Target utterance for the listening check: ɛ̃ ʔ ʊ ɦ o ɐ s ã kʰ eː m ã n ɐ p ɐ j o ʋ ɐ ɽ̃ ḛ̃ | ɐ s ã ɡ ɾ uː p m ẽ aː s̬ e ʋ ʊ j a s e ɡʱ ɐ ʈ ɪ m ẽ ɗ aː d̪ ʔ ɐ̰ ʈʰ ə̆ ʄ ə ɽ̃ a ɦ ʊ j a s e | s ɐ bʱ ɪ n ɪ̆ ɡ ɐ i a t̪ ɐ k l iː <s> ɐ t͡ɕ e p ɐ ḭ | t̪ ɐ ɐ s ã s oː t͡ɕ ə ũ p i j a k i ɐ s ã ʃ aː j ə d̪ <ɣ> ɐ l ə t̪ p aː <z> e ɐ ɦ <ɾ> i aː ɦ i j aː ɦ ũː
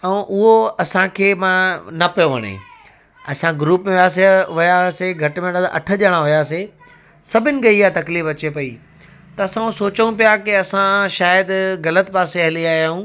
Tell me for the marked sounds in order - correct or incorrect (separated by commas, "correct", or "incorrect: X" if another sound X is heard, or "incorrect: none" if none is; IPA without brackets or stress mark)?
incorrect: f, correct, incorrect: s, incorrect: l